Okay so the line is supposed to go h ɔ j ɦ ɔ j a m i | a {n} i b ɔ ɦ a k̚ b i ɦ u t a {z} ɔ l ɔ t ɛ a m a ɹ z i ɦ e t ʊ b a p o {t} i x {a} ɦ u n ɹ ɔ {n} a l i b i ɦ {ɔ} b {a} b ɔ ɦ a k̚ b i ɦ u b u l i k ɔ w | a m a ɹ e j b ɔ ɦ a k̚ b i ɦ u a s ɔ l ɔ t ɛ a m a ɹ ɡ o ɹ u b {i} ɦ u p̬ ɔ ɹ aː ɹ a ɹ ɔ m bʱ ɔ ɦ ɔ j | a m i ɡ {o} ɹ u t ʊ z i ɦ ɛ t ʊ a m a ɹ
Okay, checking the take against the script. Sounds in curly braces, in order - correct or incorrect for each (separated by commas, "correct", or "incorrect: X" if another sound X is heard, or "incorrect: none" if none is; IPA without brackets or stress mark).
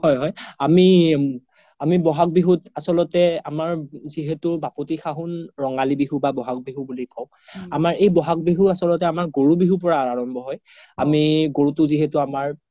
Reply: incorrect: m, incorrect: s, correct, correct, incorrect: ŋ, incorrect: u, correct, correct, correct